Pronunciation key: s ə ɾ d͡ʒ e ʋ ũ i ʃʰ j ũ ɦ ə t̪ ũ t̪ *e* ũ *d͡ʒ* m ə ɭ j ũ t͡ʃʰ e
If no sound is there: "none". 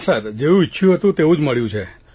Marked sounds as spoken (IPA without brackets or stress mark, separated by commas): e, d͡ʒ